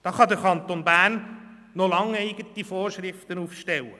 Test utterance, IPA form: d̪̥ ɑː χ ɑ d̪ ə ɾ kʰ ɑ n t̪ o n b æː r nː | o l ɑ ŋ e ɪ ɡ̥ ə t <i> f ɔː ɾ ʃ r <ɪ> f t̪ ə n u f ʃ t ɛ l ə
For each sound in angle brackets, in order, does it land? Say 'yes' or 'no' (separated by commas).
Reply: yes, yes